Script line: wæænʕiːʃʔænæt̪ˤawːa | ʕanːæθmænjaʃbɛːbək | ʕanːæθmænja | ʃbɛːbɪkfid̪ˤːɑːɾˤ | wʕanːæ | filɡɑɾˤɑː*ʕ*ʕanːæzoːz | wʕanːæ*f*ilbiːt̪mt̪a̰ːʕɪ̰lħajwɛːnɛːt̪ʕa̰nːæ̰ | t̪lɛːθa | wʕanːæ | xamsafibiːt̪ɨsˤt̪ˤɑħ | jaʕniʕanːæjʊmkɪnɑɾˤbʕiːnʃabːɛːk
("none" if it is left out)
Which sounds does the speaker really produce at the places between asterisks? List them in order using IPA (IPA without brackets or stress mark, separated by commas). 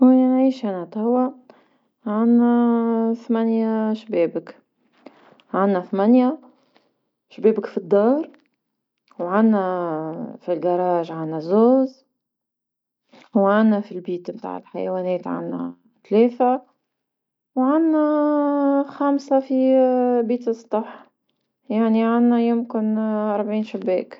ʒ, f